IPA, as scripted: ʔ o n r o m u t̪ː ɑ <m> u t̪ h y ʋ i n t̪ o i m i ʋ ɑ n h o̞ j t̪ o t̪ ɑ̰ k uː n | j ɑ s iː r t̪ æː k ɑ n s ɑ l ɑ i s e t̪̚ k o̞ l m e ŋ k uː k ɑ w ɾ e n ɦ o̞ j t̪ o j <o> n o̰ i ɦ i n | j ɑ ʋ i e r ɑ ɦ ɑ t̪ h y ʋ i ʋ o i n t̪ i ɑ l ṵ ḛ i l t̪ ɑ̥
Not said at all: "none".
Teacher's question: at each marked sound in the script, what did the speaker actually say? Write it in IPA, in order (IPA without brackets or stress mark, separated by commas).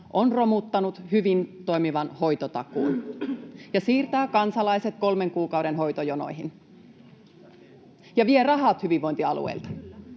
n, o